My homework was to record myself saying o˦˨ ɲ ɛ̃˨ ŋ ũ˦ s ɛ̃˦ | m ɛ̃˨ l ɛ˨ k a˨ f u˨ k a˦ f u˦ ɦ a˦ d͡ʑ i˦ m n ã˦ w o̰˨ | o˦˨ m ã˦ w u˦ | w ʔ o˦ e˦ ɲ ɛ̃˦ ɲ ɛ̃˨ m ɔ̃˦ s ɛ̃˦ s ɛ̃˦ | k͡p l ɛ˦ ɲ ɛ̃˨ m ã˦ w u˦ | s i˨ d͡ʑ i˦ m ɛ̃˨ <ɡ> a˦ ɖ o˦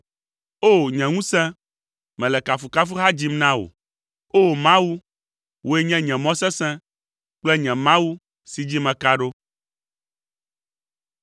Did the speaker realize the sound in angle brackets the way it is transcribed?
no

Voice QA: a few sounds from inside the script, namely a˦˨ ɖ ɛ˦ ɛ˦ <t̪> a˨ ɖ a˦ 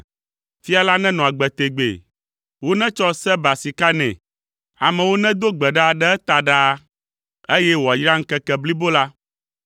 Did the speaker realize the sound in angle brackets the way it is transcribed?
yes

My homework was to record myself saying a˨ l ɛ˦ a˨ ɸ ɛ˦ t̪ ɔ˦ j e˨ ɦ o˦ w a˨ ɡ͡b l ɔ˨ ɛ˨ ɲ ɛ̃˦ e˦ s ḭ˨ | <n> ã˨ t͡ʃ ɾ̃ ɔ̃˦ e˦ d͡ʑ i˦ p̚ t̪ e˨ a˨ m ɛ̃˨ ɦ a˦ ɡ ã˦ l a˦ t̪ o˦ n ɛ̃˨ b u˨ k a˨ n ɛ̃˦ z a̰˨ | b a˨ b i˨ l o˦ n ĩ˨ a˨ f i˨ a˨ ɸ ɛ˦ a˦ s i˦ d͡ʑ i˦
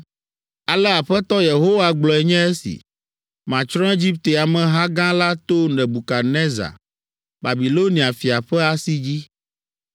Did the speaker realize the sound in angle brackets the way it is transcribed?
no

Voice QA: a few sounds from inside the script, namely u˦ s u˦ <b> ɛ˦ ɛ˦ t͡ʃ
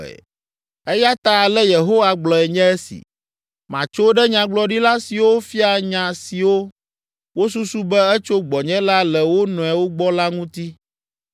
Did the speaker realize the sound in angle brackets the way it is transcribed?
yes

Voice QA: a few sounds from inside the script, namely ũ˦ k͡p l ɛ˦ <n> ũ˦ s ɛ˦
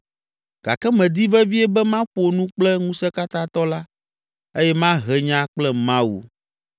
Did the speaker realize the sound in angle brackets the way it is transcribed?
no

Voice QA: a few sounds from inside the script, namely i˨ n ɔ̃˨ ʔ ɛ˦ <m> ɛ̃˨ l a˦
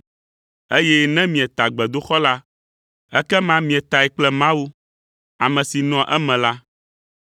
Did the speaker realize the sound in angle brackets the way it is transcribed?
yes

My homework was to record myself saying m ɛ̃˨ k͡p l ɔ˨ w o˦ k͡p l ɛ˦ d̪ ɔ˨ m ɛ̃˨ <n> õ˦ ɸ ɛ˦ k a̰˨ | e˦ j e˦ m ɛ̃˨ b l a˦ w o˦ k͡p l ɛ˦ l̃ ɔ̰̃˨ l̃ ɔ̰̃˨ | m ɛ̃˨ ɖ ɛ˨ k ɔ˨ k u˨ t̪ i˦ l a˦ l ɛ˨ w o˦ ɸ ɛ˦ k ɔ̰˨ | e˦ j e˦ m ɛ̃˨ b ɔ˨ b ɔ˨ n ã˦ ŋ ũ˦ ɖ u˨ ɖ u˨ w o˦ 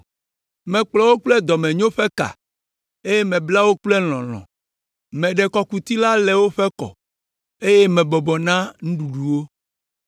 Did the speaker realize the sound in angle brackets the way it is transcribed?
no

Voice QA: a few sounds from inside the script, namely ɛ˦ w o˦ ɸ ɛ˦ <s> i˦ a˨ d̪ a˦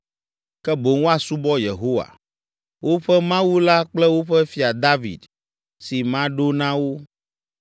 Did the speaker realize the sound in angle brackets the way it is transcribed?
no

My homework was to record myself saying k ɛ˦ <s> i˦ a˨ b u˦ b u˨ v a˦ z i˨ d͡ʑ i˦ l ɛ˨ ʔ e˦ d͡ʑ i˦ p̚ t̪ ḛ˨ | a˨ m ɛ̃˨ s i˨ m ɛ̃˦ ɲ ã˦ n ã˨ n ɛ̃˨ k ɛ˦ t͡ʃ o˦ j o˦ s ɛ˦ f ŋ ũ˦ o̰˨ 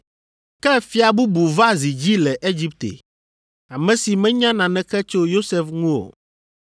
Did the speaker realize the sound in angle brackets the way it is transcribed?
no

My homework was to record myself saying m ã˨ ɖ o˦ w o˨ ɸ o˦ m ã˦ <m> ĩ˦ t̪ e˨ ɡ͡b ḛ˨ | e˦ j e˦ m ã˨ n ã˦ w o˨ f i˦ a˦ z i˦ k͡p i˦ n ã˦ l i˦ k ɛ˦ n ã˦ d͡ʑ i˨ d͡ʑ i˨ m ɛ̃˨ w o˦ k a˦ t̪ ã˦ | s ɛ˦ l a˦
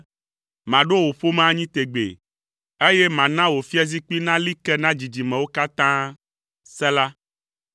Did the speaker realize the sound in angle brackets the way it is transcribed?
no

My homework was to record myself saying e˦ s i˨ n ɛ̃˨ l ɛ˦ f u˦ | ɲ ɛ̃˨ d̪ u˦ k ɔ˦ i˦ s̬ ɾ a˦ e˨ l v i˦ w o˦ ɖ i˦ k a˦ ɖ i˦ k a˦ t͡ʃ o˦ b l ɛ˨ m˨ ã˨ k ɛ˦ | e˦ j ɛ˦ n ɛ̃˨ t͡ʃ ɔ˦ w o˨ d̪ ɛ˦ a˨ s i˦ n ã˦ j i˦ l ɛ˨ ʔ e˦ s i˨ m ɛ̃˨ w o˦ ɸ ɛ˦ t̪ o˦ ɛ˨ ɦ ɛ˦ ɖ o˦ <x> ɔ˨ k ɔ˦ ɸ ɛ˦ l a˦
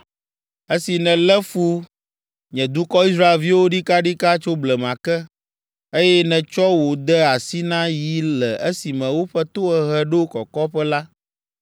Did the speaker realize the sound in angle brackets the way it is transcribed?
no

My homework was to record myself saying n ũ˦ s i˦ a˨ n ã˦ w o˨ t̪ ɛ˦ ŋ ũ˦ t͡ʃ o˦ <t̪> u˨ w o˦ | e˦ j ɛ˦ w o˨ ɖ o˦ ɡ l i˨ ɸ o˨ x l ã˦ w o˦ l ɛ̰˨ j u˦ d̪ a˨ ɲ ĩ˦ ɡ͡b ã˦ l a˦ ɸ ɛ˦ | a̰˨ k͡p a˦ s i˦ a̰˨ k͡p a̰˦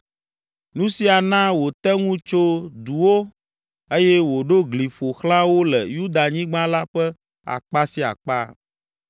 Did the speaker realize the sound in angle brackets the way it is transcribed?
no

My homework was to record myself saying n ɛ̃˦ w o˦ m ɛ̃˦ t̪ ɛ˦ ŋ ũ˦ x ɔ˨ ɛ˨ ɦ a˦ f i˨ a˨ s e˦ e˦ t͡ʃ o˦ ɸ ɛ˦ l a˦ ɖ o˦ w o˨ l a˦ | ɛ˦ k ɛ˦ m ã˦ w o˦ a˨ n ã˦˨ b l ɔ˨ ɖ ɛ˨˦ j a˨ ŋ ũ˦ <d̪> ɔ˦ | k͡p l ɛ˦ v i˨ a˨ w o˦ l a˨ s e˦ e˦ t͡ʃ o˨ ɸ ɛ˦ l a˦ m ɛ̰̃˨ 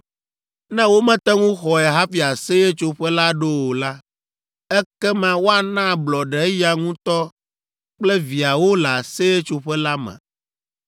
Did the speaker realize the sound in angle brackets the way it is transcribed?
no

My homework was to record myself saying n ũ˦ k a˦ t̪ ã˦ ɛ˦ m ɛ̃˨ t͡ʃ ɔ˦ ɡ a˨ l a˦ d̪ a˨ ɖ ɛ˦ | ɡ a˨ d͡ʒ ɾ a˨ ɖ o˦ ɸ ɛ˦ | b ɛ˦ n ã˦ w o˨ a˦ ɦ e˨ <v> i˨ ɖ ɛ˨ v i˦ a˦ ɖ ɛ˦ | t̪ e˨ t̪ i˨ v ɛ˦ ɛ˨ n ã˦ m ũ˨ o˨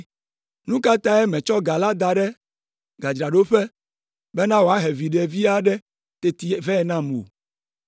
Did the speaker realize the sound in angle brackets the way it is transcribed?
yes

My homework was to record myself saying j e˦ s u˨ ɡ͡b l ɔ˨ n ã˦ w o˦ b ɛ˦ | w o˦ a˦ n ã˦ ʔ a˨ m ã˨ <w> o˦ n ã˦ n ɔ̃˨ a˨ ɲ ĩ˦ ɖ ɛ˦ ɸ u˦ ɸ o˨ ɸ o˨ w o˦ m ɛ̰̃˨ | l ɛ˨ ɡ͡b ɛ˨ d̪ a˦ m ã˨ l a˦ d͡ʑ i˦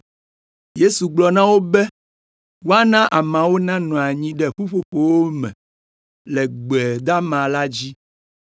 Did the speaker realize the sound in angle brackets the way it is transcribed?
yes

